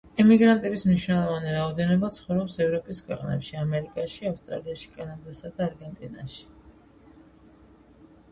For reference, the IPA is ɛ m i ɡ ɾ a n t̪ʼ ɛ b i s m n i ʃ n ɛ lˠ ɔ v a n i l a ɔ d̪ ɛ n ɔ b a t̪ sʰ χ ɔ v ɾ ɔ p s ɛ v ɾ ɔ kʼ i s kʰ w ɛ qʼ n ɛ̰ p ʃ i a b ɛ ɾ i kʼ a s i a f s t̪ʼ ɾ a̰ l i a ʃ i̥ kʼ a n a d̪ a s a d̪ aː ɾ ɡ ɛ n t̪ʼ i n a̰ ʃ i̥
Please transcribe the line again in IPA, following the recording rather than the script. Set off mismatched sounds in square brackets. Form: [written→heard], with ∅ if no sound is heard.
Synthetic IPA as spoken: ɛ m i ɡ ɾ a n t̪ʼ ɛ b i s m n i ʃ n ɛ lˠ ɔ v a n i [l→ɾ] a ɔ d̪ ɛ n ɔ b a t̪ sʰ χ ɔ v ɾ ɔ p s ɛ v ɾ ɔ [kʼ→pʼ] i s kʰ w ɛ qʼ n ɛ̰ p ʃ i a [b→m] ɛ ɾ i kʼ a [s→ʃ] i a f s t̪ʼ ɾ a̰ l i a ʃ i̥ kʼ a n a d̪ a s a d̪ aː ɾ ɡ ɛ n t̪ʼ i n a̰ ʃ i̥